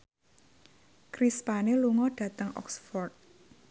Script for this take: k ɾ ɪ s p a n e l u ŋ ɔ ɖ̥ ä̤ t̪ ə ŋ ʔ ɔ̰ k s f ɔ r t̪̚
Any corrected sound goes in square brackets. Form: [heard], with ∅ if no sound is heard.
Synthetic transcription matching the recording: k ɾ [i] s p a n e l u ŋ ɔ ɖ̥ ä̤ t̪ ə ŋ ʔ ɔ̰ k s f ɔ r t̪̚